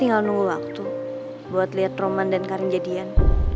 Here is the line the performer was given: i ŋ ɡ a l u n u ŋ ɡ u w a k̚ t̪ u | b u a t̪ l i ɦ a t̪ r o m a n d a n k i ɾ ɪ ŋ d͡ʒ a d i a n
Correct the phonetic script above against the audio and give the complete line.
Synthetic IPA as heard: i ŋ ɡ a l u n u ŋ ɡ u w a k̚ t̪ u | b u a t̪ l i ɦ a t̪ r o m a n d a n k a ɾ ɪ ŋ d͡ʒ a d i a n